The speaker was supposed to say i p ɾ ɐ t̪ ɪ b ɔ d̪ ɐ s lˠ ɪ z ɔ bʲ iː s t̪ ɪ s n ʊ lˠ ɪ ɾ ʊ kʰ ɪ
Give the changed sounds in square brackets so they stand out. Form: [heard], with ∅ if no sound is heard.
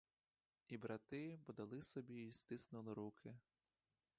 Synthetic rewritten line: i [b] ɾ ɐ t̪ ɪ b ɔ d̪ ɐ [∅] lˠ ɪ [s] ɔ bʲ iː s t̪ ɪ s n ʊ lˠ ɪ ɾ [u] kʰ ɪ